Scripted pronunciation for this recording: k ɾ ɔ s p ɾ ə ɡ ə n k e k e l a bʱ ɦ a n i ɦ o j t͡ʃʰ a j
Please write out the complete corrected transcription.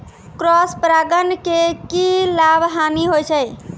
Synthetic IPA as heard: k ɾ ɔ s p ɾ a ɡ ə n k e k i l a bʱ ɦ a n i ɦ o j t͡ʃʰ ə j